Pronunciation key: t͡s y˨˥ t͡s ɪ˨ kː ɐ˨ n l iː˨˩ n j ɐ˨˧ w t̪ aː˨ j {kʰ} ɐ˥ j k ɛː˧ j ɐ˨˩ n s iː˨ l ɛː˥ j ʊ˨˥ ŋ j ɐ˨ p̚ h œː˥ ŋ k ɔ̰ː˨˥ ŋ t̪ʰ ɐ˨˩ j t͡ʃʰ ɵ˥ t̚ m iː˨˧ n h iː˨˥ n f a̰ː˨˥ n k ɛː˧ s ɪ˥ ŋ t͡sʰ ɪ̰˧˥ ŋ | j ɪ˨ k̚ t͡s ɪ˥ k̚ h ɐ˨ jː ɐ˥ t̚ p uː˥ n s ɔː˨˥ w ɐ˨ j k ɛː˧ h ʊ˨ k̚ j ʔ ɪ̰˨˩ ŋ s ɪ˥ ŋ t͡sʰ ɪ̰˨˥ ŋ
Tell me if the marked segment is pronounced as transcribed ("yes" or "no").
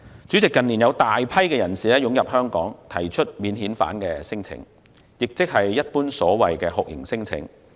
no